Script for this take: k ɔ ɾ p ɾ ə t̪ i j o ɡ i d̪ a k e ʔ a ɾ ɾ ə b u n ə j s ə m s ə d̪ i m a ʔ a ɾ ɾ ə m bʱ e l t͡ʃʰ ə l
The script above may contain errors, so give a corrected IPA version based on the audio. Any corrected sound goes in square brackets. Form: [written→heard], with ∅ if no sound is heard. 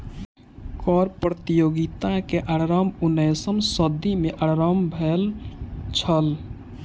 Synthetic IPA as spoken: k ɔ ɾ p ɾ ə t̪ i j o ɡ i [d̪→t̪] a k e ʔ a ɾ ɾ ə [b→m] u n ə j s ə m s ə d̪ i m [a→e] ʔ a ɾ ɾ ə m bʱ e l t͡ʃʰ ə l